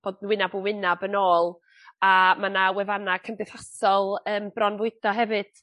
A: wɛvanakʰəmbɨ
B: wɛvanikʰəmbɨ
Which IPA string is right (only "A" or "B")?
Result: A